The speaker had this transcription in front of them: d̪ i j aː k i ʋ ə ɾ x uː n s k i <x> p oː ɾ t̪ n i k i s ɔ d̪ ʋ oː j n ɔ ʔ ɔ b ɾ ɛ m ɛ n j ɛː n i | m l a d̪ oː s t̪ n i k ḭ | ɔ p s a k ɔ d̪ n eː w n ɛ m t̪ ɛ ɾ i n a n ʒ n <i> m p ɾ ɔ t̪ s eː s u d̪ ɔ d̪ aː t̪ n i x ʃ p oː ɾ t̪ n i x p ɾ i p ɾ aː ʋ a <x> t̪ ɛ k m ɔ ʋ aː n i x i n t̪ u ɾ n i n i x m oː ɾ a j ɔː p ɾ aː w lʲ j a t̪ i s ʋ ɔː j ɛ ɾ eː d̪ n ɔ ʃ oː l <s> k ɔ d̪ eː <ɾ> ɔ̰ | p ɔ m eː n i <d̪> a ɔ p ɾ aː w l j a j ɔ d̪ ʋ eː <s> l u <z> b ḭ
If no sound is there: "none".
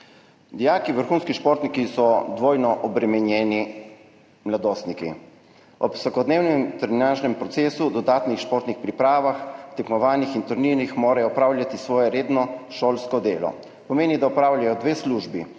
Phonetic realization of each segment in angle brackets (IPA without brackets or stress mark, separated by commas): ʃ, ɛ, x, s, l, d̪, s, ʒ